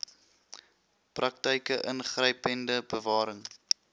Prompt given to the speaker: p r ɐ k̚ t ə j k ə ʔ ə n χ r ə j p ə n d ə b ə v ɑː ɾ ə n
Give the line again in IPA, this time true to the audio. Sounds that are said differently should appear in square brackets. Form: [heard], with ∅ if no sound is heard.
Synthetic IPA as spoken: p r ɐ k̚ t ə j k ə ʔ ə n χ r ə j p ə n d ə b ə v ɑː ɾ ə [ŋ]